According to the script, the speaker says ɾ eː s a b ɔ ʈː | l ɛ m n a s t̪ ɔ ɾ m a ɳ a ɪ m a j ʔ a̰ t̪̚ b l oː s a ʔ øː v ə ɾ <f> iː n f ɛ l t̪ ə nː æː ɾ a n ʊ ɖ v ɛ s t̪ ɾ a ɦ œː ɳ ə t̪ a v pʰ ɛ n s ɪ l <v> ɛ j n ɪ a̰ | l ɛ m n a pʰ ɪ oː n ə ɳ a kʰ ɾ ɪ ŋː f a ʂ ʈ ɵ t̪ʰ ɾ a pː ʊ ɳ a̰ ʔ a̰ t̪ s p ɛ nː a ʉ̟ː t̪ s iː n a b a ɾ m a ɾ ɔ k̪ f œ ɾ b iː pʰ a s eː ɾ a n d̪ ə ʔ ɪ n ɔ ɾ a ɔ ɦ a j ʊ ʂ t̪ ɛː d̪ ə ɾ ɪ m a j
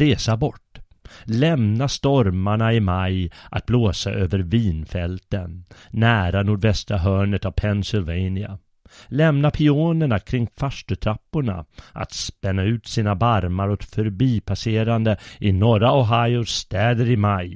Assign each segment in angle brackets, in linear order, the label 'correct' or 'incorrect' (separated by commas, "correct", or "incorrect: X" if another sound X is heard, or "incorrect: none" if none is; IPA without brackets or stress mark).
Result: incorrect: v, correct